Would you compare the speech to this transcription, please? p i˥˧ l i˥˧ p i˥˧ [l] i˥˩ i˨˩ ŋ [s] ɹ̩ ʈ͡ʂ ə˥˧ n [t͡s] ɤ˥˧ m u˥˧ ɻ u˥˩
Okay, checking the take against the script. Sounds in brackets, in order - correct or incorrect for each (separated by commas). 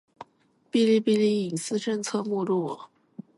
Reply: correct, correct, incorrect